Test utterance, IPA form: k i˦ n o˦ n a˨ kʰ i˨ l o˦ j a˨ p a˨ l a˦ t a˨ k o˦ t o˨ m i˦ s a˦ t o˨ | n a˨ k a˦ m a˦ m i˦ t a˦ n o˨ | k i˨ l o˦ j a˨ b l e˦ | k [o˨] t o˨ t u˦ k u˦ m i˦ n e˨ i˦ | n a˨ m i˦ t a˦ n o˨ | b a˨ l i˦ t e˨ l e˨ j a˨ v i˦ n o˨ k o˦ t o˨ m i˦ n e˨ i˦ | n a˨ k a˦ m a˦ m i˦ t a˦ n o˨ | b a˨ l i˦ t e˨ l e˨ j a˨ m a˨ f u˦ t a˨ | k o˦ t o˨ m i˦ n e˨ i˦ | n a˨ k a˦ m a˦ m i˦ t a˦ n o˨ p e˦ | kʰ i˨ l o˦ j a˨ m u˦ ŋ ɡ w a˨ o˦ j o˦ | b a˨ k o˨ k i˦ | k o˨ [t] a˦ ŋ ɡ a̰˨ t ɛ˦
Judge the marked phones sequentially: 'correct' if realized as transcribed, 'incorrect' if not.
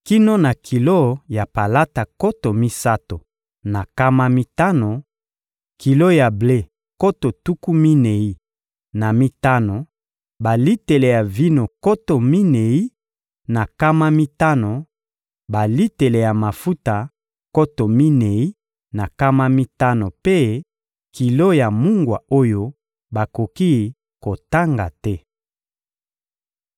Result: incorrect, correct

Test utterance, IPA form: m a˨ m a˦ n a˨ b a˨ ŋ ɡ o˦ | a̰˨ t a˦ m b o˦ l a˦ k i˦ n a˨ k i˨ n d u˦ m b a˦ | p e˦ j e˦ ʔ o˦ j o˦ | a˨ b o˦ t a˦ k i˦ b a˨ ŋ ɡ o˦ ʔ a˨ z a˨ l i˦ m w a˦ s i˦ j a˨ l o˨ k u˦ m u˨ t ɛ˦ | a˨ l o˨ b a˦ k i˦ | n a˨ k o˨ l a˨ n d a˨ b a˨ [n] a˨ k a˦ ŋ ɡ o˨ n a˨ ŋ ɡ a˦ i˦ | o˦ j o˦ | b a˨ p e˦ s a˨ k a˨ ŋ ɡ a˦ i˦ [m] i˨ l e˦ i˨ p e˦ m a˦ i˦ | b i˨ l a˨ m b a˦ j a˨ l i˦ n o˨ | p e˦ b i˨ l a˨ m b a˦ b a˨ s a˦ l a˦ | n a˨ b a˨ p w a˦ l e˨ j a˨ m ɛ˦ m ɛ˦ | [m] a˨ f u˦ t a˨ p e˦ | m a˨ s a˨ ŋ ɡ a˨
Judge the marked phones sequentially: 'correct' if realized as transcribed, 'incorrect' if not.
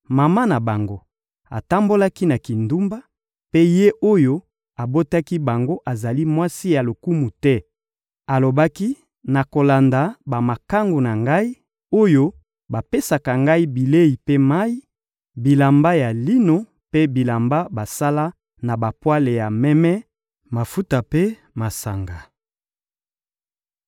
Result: incorrect, incorrect, correct

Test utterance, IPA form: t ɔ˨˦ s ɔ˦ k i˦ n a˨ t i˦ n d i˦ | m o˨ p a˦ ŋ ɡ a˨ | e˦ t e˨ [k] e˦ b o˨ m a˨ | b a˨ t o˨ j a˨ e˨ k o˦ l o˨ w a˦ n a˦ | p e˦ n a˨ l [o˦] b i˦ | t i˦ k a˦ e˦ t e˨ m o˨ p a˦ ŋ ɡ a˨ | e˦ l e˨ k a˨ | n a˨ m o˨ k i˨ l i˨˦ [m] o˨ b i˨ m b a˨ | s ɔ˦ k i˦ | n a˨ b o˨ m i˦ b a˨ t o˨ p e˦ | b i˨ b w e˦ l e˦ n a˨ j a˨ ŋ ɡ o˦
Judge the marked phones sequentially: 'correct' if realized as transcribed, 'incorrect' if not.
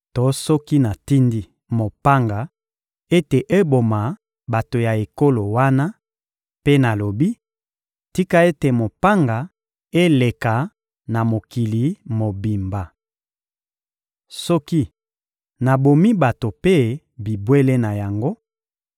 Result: incorrect, incorrect, correct

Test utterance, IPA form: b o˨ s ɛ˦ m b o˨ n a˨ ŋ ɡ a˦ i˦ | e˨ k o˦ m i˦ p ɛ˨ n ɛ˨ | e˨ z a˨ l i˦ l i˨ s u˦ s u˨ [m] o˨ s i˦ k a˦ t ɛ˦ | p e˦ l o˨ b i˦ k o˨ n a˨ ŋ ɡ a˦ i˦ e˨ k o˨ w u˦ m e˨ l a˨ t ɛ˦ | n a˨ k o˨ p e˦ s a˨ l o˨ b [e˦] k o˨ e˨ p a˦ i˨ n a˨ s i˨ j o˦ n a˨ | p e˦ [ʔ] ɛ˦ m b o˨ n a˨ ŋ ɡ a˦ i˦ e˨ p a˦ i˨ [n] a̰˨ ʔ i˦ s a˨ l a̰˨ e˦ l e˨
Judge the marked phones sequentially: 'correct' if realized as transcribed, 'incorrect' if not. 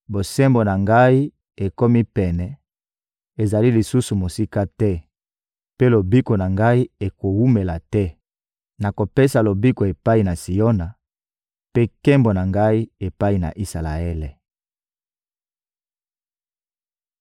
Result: correct, incorrect, incorrect, correct

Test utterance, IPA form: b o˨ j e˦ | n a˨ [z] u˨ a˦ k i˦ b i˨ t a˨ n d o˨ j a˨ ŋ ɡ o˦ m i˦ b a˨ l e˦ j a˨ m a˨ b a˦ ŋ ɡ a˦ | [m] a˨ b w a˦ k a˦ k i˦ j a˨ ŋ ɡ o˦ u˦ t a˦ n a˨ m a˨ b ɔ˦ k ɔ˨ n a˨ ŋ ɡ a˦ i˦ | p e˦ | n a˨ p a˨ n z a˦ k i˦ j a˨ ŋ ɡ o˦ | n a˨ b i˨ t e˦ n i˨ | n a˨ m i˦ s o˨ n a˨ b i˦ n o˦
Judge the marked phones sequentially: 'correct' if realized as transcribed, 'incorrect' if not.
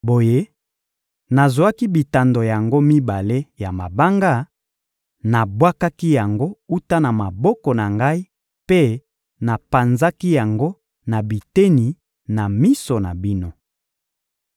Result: correct, incorrect

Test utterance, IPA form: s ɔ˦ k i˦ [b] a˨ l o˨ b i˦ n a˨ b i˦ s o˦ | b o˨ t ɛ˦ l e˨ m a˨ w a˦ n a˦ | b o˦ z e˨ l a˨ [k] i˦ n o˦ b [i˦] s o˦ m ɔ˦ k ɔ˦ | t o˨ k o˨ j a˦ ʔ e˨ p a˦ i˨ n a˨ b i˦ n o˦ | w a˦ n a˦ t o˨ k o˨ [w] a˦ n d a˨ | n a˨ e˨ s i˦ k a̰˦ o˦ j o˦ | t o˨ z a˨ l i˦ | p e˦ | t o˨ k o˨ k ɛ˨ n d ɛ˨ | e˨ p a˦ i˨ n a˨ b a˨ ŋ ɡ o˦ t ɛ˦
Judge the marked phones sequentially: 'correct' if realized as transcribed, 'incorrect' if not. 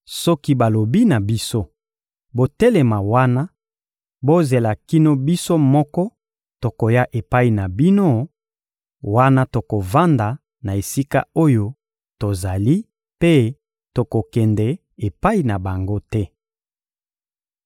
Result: correct, correct, correct, incorrect

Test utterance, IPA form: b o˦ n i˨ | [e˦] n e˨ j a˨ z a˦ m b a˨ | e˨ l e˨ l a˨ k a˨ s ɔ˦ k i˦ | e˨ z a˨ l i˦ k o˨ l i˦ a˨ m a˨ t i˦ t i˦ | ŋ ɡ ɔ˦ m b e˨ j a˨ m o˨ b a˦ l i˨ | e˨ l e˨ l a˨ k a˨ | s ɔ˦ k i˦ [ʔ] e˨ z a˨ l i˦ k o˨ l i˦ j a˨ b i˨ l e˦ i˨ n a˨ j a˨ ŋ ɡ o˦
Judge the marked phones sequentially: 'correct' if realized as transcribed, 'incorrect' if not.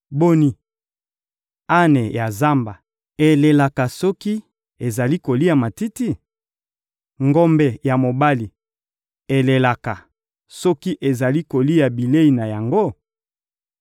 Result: incorrect, correct

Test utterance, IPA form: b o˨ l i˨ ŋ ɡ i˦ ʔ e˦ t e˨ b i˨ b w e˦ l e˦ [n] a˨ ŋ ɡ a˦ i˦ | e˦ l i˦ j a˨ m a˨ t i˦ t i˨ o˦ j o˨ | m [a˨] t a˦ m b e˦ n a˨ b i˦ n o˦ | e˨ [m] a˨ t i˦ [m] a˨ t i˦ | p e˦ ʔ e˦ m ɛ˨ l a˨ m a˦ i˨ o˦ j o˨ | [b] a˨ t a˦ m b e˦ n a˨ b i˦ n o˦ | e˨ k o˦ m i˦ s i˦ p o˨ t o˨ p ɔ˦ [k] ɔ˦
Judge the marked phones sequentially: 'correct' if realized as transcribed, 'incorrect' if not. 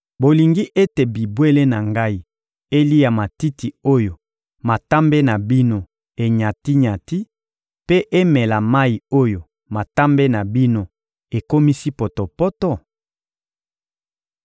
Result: correct, correct, incorrect, incorrect, incorrect, incorrect

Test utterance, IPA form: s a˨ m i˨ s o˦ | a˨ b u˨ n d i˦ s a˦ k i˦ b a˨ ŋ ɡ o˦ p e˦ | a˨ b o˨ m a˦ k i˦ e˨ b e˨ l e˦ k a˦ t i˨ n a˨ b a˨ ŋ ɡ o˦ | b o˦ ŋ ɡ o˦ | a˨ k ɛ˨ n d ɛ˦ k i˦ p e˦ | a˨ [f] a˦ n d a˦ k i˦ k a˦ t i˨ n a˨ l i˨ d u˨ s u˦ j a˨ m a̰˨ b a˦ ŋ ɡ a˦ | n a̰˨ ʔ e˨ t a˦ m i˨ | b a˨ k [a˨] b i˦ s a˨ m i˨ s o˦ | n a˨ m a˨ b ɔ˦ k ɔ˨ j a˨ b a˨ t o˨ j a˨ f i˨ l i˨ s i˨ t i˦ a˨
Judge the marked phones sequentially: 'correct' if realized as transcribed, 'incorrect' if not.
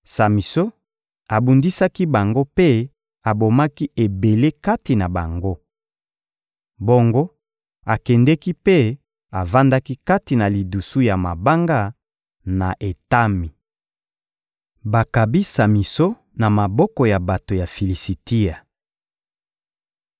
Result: incorrect, correct

